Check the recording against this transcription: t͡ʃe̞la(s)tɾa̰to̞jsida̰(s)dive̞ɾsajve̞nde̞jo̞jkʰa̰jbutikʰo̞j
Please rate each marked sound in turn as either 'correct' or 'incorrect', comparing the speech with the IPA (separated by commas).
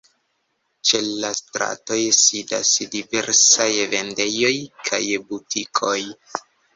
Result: correct, correct